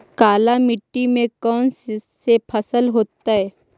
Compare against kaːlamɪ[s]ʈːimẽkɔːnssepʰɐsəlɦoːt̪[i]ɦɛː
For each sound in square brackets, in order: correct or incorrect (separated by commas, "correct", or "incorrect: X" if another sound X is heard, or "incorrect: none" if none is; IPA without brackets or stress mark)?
incorrect: none, incorrect: a